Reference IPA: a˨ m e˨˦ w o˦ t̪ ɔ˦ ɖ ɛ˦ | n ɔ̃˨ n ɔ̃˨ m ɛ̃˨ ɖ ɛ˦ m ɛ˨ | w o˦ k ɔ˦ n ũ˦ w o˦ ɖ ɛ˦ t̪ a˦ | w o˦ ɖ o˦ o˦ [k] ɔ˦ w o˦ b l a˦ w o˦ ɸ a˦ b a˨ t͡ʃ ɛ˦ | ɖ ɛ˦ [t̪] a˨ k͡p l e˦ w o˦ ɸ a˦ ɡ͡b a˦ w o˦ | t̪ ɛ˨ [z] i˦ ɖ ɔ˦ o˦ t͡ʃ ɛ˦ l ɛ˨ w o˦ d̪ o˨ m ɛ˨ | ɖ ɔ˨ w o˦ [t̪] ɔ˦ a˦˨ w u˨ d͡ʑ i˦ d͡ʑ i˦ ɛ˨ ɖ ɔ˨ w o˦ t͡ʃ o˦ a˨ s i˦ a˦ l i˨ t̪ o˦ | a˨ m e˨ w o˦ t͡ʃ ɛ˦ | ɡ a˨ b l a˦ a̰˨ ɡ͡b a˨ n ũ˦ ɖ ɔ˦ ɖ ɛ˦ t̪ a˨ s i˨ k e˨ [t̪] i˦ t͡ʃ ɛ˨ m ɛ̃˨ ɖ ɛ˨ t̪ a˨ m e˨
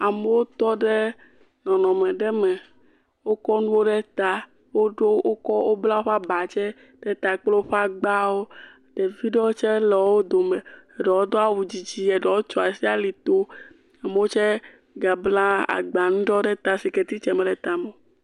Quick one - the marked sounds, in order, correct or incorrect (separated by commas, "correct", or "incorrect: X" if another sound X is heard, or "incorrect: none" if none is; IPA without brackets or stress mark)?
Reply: correct, correct, incorrect: v, incorrect: d̪, correct